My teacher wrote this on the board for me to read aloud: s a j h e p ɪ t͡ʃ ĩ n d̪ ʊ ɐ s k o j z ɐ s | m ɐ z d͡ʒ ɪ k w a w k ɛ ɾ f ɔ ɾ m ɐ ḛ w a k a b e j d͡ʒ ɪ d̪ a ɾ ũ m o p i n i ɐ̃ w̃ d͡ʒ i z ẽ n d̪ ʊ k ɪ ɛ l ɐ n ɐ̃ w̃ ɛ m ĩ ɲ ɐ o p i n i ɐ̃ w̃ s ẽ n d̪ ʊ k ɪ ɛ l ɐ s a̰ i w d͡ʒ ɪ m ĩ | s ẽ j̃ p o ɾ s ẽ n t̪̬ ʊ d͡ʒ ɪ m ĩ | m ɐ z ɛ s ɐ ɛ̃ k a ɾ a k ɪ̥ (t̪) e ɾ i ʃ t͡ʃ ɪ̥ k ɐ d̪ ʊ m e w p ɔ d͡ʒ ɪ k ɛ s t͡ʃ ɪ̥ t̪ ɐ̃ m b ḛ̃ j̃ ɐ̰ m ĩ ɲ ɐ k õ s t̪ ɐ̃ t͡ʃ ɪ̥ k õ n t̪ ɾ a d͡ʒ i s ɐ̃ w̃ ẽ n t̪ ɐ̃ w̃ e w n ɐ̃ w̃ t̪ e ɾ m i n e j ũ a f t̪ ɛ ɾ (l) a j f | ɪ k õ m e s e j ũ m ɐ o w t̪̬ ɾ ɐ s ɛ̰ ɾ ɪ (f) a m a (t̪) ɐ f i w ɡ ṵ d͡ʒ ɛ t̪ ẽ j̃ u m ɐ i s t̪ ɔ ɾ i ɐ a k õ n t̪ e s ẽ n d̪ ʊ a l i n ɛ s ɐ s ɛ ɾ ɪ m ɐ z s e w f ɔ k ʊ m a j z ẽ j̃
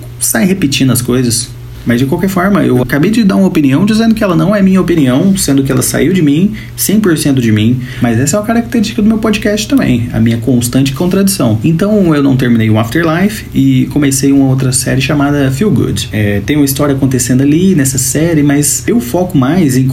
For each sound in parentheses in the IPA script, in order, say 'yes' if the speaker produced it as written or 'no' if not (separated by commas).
yes, yes, no, no